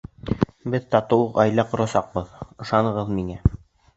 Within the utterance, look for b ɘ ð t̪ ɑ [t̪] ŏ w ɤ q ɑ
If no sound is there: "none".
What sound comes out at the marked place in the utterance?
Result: t̪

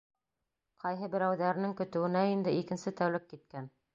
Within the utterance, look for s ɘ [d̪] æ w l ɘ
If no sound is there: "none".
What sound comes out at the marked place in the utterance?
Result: t̪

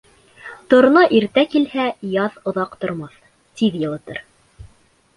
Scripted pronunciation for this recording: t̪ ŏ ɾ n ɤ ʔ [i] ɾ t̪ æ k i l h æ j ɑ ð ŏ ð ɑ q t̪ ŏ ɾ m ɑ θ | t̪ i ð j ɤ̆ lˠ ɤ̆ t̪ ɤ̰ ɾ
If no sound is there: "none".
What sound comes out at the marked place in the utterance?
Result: i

